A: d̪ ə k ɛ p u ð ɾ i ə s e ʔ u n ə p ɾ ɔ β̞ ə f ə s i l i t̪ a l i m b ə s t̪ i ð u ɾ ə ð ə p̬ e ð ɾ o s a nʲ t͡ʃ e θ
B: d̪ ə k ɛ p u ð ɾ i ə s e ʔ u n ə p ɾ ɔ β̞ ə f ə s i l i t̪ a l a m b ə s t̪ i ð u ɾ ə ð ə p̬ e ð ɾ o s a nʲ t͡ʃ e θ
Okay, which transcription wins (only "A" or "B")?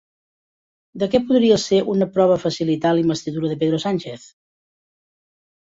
A